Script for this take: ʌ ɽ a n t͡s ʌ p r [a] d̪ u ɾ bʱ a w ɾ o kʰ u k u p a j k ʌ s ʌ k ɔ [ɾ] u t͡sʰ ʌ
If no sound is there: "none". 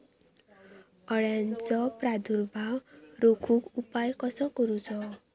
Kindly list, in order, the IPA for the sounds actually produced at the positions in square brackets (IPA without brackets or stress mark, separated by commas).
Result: a, ɾ